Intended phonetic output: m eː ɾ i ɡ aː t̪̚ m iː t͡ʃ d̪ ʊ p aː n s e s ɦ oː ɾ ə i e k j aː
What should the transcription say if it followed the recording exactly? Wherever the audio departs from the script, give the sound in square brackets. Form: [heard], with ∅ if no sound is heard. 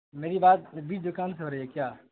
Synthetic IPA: m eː ɾ i [b] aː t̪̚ [b] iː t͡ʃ d̪ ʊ [k] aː n s e [∅] ɦ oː ɾ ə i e k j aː

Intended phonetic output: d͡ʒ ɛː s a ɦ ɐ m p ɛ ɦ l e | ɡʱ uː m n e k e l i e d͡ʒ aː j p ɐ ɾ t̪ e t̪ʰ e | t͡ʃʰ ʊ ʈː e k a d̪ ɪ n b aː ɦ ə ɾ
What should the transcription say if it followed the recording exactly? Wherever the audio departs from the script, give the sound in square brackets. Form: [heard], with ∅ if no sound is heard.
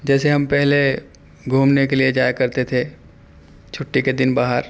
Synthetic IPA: d͡ʒ ɛː s [e] ɦ ɐ m p ɛ ɦ l e | ɡʱ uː m n e k e l i e d͡ʒ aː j [k] ɐ ɾ t̪ e t̪ʰ e | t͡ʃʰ ʊ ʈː [i] k [e] d̪ ɪ n b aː ɦ ə ɾ

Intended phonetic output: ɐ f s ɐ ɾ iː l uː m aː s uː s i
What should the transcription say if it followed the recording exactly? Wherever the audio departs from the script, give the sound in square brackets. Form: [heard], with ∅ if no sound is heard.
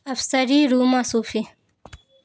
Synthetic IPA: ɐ f s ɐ ɾ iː [ɾ] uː m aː s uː [f] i

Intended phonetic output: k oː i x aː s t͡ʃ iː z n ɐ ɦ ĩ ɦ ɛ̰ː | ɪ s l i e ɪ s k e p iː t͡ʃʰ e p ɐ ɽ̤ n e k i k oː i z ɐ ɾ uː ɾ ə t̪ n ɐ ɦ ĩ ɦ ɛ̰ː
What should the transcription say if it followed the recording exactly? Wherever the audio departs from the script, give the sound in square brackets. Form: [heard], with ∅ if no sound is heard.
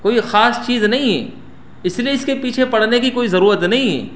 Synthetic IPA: k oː i x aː s t͡ʃ iː z n ɐ ɦ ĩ ɦ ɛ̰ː | ɪ s l i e ɪ s k e p iː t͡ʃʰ e p ɐ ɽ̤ n e k i k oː i z ɐ ɾ uː ɾ ə t̪ n ɐ ɦ ĩ ɦ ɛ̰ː

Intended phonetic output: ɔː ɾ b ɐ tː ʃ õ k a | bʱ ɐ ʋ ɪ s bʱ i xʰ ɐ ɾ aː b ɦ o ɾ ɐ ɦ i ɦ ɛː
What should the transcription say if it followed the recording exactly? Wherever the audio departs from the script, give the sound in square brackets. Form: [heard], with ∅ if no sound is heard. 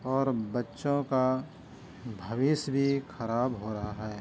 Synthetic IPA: ɔː ɾ b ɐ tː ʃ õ k a | bʱ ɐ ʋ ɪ s bʱ i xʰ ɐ ɾ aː b ɦ o ɾ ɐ ɦ [a] ɦ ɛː

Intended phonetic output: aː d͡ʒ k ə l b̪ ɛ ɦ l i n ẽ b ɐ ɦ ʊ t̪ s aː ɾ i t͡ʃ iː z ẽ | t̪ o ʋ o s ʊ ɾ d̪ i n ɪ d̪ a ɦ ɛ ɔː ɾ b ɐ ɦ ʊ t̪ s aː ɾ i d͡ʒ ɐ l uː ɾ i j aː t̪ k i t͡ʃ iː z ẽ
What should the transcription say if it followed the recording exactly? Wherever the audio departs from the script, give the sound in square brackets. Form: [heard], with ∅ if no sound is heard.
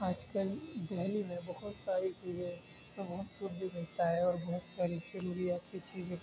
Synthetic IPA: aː d͡ʒ k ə l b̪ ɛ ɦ l i [m] ẽ b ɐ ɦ ʊ t̪ s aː ɾ i t͡ʃ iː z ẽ | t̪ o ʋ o s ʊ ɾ d̪ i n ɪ [t̪] a ɦ ɛ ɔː ɾ b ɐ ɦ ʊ t̪ s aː ɾ i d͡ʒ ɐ [ɾ] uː ɾ i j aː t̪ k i t͡ʃ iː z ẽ

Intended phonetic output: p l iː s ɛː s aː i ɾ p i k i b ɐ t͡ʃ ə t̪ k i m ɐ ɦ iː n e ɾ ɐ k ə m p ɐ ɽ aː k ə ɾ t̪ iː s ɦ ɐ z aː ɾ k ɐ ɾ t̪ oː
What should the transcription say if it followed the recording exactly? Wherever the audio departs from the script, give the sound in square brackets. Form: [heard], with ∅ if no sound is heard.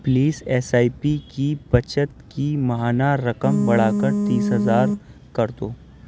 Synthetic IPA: p l iː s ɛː s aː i [∅] p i k i b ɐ t͡ʃ ə t̪ k i m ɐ ɦ [aː] n [a] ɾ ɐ k ə m [b] ɐ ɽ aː k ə ɾ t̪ iː s ɦ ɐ z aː ɾ k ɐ ɾ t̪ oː

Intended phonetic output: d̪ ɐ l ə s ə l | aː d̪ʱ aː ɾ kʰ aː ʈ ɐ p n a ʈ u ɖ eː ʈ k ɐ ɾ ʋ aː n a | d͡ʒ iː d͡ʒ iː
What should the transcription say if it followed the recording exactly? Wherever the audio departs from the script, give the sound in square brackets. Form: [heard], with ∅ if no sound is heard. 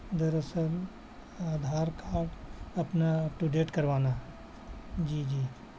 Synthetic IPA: d̪ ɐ [ɾ] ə s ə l | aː d̪ʱ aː ɾ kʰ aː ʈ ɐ p n a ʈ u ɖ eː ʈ k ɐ ɾ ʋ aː n a | d͡ʒ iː d͡ʒ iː

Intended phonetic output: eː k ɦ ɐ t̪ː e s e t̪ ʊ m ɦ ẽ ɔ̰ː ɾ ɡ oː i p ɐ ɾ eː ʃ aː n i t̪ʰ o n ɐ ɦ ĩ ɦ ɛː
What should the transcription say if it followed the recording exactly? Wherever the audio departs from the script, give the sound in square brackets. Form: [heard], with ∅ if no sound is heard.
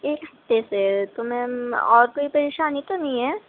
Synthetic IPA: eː k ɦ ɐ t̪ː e s e t̪ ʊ m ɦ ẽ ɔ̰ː ɾ [k] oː i p ɐ ɾ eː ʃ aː n i [t̪] o n ɐ ɦ ĩ ɦ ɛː

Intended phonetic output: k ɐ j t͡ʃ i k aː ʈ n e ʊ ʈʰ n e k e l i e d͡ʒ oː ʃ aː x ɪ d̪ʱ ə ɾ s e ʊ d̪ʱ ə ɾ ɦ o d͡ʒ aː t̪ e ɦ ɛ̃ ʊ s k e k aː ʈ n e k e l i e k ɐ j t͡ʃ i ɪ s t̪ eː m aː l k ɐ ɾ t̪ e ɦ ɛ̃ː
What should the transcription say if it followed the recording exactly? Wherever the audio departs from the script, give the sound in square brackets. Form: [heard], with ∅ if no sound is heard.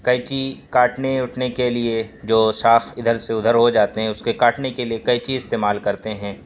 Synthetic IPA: k ɐ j t͡ʃ i k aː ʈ n e ʊ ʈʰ n e k e l i e d͡ʒ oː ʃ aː x ɪ d̪ʱ ə ɾ s e ʊ d̪ʱ ə ɾ ɦ o d͡ʒ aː t̪ e ɦ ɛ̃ ʊ s k e k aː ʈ n e k e l i e k ɐ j t͡ʃ i ɪ s t̪ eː m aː l k ɐ ɾ t̪ e ɦ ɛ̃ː

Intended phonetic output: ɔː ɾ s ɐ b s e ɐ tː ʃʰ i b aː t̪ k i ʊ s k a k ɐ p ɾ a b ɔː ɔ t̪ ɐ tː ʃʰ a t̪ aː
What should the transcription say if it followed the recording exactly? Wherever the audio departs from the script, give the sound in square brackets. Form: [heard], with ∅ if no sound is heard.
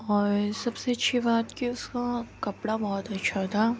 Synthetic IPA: ɔː ɾ s ɐ b s e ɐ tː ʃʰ i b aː t̪ k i ʊ s k a k ɐ p [ɽ] a b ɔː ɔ t̪ ɐ tː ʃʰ a [t̪ʰ] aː

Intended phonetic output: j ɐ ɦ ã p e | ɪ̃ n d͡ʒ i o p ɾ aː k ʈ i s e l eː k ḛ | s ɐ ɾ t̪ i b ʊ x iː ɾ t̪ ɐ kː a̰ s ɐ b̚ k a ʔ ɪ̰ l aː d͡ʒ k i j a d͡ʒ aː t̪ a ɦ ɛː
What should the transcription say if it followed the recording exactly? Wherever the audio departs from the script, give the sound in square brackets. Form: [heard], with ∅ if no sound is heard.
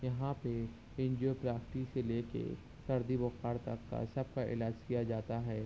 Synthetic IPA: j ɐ ɦ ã p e | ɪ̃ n d͡ʒ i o p ɾ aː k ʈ i s e l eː k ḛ | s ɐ ɾ [d̪] i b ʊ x [aː] ɾ t̪ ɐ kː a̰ s ɐ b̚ k a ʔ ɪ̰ l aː d͡ʒ k i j a d͡ʒ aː t̪ a ɦ ɛː

